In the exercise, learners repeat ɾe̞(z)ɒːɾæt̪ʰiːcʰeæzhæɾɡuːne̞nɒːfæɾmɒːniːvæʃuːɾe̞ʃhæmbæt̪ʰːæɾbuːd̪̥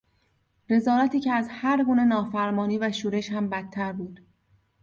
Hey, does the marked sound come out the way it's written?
yes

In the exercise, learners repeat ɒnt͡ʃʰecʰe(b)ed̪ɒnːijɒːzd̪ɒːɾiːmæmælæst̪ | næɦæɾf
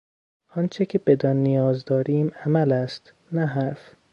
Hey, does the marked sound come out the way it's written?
yes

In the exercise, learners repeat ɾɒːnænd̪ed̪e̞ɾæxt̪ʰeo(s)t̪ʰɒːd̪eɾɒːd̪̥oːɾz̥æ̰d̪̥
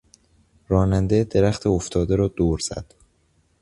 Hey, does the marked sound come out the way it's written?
no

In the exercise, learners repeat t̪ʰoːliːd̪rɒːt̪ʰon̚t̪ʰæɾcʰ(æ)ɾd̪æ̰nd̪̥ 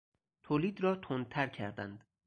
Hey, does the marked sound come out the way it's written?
yes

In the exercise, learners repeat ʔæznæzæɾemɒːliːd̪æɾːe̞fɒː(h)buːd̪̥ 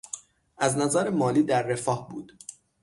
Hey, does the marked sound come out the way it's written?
yes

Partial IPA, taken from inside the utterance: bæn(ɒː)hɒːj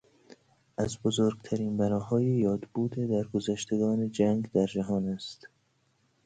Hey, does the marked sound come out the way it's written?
yes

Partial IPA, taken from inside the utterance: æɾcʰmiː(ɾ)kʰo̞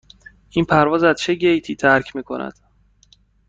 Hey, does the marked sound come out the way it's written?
no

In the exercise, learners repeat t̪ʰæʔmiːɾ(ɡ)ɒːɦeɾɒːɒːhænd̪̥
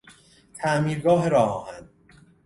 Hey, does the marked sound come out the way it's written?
yes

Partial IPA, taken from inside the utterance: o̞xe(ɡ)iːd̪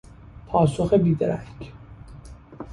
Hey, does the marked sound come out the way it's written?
no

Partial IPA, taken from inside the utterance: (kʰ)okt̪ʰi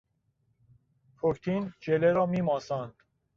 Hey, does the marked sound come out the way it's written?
no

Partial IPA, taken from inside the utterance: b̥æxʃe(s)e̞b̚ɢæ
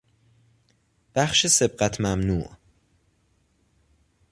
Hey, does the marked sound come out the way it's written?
yes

